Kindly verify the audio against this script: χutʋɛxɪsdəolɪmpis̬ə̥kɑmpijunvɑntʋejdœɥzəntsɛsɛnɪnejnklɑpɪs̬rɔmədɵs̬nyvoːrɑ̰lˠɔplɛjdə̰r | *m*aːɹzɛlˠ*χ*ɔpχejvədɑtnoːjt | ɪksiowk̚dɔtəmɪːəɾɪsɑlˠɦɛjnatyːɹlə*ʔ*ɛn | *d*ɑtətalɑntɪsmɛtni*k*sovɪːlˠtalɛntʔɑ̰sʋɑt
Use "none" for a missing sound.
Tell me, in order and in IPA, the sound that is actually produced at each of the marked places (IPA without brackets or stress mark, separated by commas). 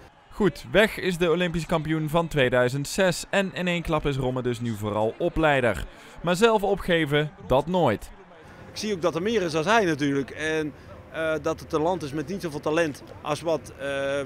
m, f, k, d, t